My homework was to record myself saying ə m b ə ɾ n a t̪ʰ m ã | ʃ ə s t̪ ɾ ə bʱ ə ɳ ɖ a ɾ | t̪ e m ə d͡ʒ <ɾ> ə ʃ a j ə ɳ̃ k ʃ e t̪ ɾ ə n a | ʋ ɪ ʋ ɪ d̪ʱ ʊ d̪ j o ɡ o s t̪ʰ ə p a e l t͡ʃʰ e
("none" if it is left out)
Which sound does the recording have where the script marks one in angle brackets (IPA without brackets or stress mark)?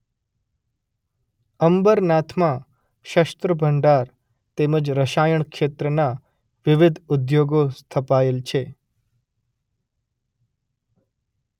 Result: ɾ